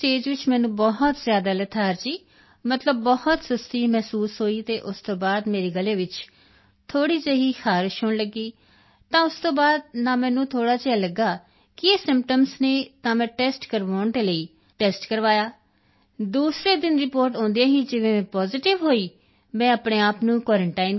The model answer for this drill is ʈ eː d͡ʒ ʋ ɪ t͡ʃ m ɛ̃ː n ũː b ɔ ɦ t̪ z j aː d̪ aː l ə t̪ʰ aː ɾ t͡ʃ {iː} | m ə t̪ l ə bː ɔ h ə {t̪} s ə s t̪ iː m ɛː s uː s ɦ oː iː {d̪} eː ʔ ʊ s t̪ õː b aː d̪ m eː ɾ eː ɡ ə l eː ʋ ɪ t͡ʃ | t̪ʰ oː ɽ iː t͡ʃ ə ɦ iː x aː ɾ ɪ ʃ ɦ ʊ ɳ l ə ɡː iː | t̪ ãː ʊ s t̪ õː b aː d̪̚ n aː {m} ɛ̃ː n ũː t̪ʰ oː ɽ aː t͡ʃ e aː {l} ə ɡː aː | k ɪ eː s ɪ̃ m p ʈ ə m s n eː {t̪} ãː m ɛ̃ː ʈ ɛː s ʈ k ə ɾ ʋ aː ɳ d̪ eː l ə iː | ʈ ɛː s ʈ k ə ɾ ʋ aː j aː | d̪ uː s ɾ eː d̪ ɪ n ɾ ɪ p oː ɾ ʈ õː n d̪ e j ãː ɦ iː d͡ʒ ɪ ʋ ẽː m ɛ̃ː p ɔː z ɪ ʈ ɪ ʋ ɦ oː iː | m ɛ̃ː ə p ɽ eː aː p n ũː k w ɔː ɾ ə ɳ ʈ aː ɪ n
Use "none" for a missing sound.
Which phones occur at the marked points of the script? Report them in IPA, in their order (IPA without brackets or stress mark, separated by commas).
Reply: iː, t̪, t̪, m, l, t̪